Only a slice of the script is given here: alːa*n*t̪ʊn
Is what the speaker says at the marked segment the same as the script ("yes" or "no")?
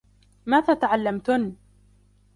no